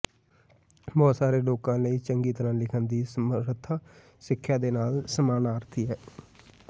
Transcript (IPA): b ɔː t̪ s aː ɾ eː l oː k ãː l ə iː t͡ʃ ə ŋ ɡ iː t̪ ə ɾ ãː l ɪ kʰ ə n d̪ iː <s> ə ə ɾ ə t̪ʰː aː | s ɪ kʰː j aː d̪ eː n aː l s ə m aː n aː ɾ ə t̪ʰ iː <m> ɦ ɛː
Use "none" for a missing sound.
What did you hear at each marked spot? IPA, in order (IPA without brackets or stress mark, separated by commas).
s, none